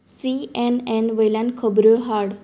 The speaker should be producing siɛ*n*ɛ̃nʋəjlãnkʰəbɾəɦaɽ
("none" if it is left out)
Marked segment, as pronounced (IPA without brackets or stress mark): n